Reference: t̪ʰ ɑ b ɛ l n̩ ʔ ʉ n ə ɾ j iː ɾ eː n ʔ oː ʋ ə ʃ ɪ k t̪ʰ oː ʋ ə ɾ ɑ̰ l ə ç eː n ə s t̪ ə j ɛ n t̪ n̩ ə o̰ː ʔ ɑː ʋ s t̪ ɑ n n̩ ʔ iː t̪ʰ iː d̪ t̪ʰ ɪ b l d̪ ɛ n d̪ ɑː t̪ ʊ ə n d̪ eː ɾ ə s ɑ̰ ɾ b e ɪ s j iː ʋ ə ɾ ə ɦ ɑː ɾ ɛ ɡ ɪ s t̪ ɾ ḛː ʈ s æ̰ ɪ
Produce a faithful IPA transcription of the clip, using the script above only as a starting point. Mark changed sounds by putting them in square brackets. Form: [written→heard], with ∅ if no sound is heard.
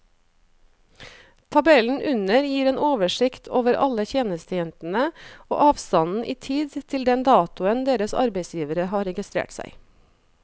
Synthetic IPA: t̪ʰ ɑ b ɛ l n̩ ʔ ʉ n ə ɾ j iː ɾ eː n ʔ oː ʋ ə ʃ ɪ k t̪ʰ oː ʋ ə ɾ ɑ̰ l ə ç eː n ə s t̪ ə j ɛ n t̪ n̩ ə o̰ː ʔ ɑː ʋ s t̪ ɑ n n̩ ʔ iː t̪ʰ iː d̪ t̪ʰ ɪ [b→∅] l d̪ ɛ n d̪ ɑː t̪ ʊ ə n d̪ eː ɾ ə s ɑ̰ ɾ b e ɪ s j iː ʋ ə ɾ ə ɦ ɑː ɾ ɛ ɡ ɪ s t̪ ɾ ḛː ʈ s æ̰ ɪ